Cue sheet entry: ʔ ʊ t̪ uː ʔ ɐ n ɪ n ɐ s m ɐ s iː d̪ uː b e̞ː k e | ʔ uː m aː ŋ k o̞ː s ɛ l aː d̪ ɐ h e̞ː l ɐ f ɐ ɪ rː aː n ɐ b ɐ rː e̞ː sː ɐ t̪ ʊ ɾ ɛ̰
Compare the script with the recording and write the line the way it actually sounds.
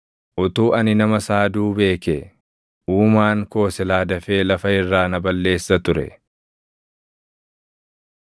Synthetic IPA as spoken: ʔ ʊ t̪ uː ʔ ɐ n ɪ n ɐ m ɐ s aː d̪ uː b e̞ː k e | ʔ uː m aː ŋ k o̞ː s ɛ l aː d̪ ɐ f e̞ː l ɐ f ɐ ɪ rː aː n ɐ b ɐ lː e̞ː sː ɐ t̪ ʊ ɾ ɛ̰